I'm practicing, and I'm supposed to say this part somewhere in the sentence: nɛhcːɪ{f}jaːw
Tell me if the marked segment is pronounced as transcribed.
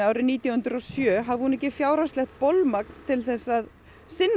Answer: yes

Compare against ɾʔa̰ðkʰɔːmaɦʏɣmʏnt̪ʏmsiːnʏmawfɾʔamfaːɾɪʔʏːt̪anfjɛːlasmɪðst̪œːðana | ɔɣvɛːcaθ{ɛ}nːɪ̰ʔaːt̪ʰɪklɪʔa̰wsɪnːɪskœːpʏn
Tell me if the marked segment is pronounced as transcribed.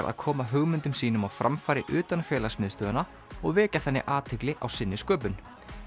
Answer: yes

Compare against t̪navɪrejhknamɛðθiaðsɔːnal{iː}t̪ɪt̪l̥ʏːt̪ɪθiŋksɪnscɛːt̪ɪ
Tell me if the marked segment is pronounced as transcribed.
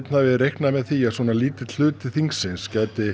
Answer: yes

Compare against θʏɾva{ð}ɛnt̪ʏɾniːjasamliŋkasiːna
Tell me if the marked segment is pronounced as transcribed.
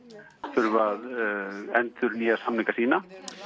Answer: yes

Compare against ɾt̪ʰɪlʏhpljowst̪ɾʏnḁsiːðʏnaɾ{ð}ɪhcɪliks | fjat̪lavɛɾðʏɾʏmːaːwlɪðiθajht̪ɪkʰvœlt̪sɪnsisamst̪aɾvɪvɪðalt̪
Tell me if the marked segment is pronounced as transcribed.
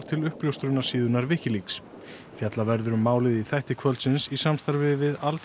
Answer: no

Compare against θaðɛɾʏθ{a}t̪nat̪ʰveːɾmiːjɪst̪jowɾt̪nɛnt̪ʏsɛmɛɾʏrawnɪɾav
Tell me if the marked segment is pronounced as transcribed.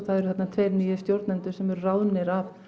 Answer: no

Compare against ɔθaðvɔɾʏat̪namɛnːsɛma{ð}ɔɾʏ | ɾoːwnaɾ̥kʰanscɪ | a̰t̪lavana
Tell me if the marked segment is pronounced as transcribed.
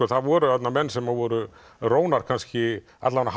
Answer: no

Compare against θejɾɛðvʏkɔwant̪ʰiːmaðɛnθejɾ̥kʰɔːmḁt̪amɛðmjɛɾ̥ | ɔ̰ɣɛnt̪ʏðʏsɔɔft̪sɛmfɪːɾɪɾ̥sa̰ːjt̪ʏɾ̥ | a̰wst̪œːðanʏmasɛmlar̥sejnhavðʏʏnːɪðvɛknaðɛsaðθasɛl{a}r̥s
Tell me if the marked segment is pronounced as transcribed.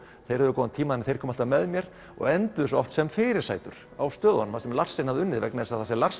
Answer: yes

